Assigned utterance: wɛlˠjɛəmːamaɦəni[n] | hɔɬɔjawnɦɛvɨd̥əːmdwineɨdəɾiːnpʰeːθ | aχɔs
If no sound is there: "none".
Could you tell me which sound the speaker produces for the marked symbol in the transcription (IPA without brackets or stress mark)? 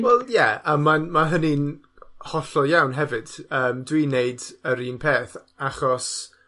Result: n